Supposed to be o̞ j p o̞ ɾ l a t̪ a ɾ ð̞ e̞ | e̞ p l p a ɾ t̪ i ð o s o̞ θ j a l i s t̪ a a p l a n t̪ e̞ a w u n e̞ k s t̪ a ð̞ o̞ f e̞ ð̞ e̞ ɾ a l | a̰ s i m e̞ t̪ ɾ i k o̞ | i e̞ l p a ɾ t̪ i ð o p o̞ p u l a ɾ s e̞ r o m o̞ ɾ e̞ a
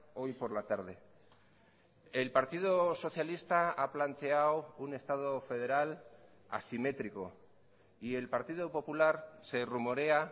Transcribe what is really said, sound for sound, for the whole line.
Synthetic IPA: o̞ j p o̞ ɾ l a t̪ a ɾ ð̞ e̞ | e̞ l p a ɾ t̪ i ð o s o̞ θ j a l i s t̪ a a p l a n t̪ e̞ a w u n e̞ s t̪ a ð̞ o̞ f e̞ ð̞ e̞ ɾ a l | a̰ s i m e̞ t̪ ɾ i k o̞ | i e̞ l p a ɾ t̪ i ð o p o̞ p u l a ɾ s e̞ r u m o̞ ɾ e̞ a